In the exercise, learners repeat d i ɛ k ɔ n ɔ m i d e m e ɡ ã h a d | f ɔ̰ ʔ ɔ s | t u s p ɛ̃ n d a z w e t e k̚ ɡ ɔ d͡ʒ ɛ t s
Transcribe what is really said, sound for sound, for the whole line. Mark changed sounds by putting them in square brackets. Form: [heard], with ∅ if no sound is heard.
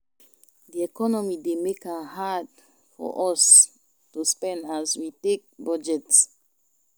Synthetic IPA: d i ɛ k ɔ n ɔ m i d e m e [k] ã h a d | f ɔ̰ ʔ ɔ s | t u s p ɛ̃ n d a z w [i] t e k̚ [b] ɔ d͡ʒ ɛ t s